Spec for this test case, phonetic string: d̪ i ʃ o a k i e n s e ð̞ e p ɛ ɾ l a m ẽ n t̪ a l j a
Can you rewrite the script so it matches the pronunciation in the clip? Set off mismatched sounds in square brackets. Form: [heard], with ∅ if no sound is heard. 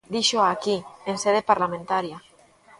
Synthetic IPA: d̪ i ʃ o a k i e n s e ð̞ e p [a] ɾ l a m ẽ n t̪ a [ɾ] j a